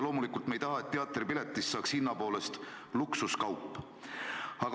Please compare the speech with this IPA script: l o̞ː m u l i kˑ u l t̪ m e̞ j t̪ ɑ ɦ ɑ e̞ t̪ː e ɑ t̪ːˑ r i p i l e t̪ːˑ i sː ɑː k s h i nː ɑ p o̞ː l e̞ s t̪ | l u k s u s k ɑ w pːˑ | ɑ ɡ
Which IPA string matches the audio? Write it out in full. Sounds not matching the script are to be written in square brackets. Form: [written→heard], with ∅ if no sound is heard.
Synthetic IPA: l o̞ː m u l i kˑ u l t̪ m e̞ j t̪ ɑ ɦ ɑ e̞ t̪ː e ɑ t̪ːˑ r i p i l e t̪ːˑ i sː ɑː k s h i nː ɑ p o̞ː l e̞ s t̪ | l u k s u s k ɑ w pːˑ | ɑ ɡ